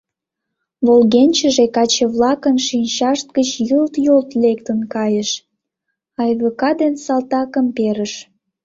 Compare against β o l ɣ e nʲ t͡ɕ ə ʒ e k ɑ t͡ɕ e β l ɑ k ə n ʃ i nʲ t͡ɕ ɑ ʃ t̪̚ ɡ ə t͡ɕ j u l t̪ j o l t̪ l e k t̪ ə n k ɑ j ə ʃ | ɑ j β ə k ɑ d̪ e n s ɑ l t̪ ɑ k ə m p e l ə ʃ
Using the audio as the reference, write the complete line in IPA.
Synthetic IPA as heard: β o l ɣ e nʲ t͡ɕ ə ʒ e k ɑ t͡ɕ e β l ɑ k ə n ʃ i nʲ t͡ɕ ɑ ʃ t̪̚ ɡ ə t͡ɕ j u l t̪ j o l t̪ l e k t̪ ə n k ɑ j ə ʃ | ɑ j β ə k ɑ d̪ e n s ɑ l t̪ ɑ k ə m p e ɾ ə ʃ